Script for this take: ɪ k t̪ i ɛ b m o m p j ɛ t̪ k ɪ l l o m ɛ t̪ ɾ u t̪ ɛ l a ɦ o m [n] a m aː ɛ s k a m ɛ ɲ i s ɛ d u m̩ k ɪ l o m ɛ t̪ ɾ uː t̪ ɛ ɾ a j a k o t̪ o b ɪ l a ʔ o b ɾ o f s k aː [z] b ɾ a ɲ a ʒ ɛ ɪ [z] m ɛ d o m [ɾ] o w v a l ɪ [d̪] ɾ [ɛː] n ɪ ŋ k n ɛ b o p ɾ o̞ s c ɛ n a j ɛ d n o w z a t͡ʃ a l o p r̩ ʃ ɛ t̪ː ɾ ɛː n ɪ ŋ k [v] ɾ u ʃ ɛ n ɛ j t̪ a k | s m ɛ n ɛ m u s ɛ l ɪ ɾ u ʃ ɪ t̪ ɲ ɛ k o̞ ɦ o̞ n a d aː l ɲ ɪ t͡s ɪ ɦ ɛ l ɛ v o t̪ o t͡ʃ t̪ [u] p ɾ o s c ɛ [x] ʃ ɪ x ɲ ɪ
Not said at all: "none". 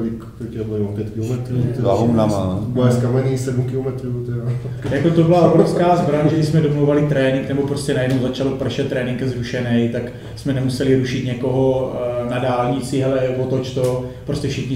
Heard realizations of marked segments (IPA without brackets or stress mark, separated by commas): n, z, s, l, t̪, ɛː, z, o, f